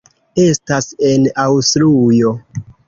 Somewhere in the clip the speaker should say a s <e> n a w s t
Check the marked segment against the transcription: correct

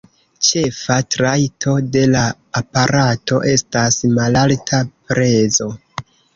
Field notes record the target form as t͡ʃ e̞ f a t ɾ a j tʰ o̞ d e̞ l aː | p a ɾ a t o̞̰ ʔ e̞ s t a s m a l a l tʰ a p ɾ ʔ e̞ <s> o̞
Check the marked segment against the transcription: incorrect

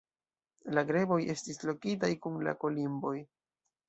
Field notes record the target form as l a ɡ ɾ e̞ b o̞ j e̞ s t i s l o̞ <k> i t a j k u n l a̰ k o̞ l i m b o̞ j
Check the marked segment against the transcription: correct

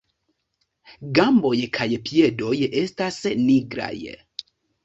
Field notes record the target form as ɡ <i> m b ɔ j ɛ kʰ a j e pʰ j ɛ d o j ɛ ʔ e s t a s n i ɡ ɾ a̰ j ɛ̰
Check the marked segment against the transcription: incorrect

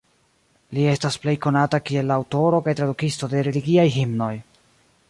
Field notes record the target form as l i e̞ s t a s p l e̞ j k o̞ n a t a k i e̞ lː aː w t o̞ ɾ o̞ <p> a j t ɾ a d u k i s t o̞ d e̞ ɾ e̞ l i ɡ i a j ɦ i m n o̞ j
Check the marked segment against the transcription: incorrect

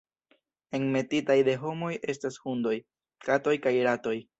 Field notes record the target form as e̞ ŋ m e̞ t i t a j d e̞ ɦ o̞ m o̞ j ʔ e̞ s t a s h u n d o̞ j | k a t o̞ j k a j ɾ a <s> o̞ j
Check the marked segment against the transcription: incorrect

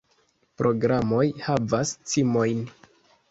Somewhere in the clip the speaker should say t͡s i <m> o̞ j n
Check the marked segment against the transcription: correct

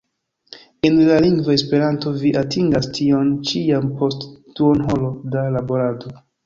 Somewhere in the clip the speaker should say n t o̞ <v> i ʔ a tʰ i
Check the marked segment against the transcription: correct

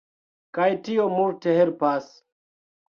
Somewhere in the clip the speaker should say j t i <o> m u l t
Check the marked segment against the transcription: correct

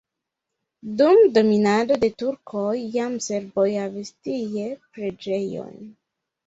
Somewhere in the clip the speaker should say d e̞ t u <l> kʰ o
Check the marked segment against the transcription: incorrect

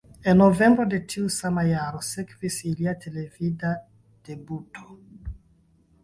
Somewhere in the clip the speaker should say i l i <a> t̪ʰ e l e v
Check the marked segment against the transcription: correct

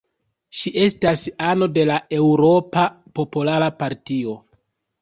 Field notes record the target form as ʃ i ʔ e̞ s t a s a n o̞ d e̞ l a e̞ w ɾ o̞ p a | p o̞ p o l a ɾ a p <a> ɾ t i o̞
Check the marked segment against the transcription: correct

